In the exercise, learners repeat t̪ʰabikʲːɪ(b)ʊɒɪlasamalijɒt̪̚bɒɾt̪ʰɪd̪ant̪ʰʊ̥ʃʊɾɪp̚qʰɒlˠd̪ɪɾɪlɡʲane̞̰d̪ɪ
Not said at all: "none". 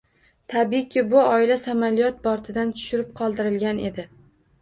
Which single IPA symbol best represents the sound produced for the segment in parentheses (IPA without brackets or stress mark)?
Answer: b